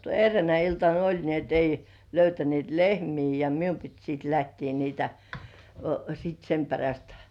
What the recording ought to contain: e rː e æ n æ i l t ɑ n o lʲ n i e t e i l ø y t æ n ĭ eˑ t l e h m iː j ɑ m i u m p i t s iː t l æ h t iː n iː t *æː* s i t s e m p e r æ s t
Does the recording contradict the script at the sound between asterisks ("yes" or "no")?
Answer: yes